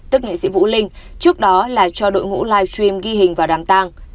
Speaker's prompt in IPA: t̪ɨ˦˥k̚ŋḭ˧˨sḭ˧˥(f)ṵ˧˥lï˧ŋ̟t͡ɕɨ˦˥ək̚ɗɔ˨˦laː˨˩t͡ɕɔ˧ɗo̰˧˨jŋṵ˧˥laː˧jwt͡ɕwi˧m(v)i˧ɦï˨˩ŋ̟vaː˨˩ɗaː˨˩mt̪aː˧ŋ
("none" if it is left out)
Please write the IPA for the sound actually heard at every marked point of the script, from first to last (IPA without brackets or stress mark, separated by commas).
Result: v, ɣ